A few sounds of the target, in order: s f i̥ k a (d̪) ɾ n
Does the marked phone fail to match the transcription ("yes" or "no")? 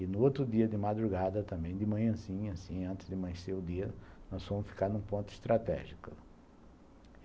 yes